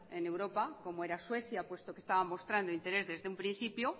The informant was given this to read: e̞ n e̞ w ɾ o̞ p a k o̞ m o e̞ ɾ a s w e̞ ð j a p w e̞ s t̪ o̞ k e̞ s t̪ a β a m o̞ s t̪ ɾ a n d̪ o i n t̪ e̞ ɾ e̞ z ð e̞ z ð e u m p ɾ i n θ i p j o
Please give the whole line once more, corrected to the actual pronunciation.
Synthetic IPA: e̞ n e̞ w ɾ o̞ p a k o̞ m o e̞ ɾ a s w e̞ θ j a p w e̞ s t̪ o̞ k e̞ s t̪ a β a m o̞ s t̪ ɾ a n d̪ o i n t̪ e̞ ɾ e̞ z ð e̞ z ð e u m p ɾ i n θ i p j o